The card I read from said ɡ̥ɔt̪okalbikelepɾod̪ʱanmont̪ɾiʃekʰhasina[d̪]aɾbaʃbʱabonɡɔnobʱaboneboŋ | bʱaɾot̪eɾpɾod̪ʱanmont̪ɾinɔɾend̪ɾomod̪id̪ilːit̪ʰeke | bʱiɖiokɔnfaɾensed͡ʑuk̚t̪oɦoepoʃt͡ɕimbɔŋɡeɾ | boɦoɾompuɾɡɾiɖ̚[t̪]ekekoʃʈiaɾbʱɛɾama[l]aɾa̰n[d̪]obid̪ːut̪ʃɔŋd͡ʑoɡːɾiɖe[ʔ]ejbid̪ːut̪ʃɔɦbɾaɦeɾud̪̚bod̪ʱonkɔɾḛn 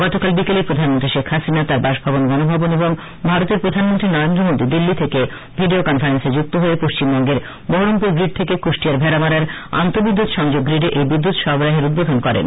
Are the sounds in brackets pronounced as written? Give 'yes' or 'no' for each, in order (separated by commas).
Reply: no, no, no, no, yes